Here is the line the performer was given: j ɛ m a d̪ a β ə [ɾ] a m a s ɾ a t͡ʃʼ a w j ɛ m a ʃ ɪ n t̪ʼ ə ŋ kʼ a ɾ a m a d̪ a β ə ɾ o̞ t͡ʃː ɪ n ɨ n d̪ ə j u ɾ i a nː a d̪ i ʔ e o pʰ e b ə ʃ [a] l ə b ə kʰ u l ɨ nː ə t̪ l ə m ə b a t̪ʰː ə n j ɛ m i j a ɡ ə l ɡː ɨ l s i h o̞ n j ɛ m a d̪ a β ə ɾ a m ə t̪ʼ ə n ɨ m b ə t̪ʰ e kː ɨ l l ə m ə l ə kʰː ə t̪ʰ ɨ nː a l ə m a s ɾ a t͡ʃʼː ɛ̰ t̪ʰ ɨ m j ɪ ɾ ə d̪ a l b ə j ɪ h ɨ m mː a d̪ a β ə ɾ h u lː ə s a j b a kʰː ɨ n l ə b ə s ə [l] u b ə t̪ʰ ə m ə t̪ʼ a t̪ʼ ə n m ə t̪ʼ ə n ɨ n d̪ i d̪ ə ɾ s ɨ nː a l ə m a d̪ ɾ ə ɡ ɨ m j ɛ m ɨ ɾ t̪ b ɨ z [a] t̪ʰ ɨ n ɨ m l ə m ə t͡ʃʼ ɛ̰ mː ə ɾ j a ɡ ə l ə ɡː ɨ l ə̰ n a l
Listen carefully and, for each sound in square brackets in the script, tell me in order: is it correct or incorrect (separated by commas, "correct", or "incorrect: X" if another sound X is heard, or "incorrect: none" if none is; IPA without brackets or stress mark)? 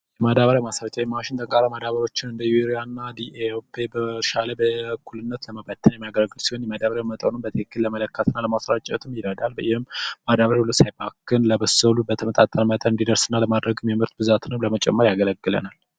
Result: correct, correct, correct, correct